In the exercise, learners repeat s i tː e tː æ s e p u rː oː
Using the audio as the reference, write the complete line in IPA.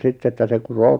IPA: s i tː e tː æ s e k u r oː